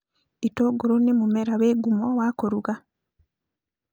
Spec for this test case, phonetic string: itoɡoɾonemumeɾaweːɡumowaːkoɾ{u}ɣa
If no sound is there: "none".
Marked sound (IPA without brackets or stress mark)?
u